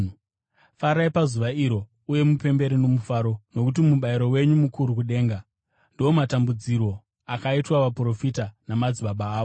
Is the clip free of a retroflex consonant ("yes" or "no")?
yes